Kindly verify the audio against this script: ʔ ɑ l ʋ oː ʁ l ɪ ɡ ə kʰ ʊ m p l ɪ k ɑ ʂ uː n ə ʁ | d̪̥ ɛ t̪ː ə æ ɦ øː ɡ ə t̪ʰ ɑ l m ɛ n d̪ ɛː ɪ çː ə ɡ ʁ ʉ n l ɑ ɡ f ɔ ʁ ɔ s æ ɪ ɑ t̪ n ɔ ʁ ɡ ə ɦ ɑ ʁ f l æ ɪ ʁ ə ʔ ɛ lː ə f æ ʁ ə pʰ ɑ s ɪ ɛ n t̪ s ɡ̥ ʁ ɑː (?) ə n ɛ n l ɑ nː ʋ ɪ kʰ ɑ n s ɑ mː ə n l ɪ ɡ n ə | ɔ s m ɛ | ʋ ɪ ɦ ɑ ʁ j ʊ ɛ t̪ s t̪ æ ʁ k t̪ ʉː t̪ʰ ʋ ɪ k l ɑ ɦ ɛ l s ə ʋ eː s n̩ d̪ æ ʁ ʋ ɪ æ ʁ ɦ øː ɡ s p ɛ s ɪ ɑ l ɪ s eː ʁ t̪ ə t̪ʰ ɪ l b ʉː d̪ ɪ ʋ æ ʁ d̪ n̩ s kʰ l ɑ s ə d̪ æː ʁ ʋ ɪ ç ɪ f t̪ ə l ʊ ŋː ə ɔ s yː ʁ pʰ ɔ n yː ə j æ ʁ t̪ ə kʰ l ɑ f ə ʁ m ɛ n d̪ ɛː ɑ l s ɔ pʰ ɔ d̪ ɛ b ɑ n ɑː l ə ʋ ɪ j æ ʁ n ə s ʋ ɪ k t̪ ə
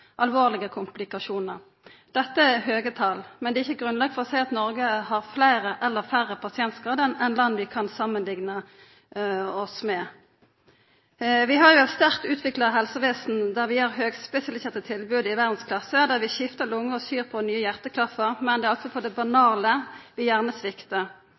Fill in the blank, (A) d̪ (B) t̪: A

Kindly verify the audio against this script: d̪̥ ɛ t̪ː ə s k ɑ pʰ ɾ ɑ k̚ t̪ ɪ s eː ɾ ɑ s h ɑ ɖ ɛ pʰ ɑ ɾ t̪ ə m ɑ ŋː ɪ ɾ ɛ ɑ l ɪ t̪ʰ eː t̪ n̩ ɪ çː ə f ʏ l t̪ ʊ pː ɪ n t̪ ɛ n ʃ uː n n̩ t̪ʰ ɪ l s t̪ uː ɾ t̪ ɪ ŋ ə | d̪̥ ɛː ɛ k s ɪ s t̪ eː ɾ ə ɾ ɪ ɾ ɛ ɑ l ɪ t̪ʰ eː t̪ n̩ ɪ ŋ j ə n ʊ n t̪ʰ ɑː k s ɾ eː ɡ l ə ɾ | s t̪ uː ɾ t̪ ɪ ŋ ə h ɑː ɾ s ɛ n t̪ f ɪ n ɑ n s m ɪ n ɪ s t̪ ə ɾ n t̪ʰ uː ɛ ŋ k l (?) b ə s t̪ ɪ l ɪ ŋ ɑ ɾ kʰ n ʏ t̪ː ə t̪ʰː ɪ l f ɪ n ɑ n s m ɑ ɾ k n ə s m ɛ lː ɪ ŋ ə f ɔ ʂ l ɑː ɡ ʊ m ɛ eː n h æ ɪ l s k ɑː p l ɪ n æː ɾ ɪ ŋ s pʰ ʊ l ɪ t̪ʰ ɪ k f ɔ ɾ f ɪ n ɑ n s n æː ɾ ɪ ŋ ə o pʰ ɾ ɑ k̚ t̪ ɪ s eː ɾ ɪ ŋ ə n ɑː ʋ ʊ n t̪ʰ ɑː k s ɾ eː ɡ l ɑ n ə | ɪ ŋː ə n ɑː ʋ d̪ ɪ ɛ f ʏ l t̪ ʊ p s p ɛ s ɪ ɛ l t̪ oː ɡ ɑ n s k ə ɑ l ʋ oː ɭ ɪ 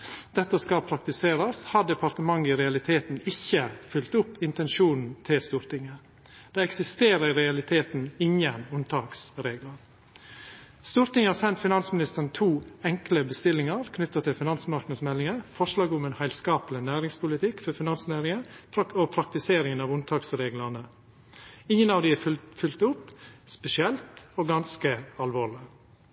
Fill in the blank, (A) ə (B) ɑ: A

